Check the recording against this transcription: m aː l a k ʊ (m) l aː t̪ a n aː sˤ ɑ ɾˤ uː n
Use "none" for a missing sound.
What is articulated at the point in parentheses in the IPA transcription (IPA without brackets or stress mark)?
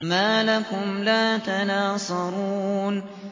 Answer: m